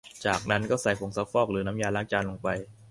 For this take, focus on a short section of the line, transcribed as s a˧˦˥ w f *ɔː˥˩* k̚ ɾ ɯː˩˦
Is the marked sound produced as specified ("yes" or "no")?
yes